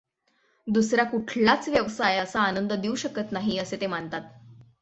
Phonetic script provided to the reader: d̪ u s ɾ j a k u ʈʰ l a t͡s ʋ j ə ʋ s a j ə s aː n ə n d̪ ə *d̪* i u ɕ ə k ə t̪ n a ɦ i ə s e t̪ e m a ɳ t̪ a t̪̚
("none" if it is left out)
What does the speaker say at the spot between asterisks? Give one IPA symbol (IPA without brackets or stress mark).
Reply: d̪